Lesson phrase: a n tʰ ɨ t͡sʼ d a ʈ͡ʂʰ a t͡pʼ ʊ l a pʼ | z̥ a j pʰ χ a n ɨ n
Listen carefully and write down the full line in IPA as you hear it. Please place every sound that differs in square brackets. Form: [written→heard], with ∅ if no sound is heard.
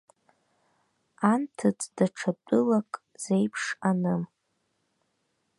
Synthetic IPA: a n tʰ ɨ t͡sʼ d a ʈ͡ʂʰ a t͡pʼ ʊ l a [pʼ→kʼ] | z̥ [a→e] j pʰ [χ→ʂ] a n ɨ [n→m]